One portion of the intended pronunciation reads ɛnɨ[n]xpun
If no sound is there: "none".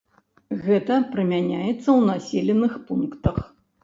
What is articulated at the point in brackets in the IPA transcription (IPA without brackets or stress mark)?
none